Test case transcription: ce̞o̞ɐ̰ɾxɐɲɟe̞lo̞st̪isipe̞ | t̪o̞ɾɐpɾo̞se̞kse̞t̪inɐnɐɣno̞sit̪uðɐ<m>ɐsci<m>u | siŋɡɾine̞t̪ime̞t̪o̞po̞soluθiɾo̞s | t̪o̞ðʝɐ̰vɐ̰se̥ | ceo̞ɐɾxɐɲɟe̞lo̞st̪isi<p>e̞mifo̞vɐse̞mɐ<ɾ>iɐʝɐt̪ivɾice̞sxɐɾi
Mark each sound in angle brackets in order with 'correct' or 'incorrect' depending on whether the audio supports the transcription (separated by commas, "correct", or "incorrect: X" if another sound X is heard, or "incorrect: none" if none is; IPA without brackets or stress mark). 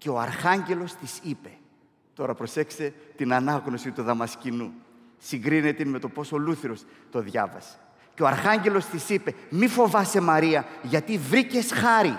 correct, incorrect: n, correct, correct